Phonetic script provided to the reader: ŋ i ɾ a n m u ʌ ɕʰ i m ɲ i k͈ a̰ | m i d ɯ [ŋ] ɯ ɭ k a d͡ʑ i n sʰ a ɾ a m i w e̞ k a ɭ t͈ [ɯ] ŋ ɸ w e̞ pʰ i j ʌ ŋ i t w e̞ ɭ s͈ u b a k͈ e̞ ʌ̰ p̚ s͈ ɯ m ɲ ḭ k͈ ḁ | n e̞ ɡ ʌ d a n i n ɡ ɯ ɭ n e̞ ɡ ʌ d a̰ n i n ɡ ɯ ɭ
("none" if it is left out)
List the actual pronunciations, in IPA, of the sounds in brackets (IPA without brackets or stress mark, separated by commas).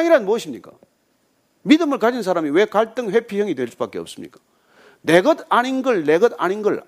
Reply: m, ɯ